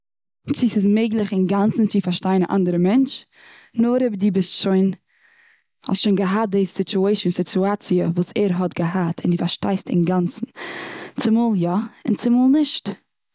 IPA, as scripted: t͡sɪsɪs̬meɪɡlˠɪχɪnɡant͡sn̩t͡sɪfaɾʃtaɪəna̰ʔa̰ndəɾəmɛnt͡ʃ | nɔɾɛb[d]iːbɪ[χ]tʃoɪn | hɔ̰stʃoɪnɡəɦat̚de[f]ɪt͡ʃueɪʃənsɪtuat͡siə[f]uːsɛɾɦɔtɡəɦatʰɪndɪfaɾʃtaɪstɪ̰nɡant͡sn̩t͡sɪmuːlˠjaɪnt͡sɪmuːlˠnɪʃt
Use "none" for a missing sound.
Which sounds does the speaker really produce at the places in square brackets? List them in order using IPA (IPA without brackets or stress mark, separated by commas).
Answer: d, s, s, v